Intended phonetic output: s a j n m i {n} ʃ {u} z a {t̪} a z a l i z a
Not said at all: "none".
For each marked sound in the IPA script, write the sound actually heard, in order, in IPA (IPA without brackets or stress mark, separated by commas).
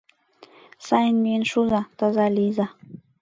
n, u, t̪